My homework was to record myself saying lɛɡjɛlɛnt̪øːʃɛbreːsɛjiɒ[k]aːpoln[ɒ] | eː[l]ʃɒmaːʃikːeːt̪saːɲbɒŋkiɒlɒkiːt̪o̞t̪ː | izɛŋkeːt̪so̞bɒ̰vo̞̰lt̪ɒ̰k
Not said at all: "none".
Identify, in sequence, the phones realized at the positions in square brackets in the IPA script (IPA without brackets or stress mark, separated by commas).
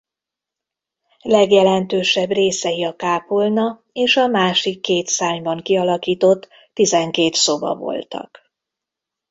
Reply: k, ɒ, none